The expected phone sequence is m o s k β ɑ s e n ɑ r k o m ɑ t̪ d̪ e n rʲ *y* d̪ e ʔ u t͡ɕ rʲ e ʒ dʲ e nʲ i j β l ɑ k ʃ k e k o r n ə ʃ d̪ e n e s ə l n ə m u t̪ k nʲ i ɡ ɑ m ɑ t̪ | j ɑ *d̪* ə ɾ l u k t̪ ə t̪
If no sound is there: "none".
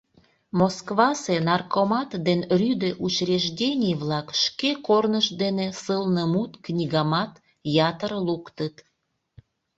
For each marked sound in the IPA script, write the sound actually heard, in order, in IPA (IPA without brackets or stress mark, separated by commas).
y, t̪